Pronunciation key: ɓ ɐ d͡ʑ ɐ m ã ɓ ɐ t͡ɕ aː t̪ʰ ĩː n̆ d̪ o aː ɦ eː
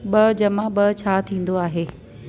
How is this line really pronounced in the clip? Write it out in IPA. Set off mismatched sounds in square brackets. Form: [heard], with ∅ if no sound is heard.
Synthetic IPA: ɓ ɐ d͡ʑ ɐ m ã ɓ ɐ [t͡ɕʰ] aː t̪ʰ ĩː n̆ d̪ o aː ɦ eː